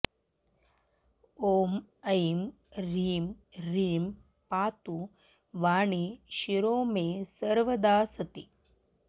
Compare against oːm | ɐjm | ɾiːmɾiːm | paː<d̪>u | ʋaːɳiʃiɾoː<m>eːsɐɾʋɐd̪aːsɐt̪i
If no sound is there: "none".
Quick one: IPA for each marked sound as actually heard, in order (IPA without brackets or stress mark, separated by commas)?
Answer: t̪, m